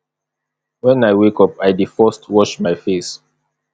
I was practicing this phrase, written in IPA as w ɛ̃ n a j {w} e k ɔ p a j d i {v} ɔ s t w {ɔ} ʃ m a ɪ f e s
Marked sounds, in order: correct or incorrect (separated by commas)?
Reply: correct, incorrect, correct